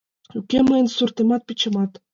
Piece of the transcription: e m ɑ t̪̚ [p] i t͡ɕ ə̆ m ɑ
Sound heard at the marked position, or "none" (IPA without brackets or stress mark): p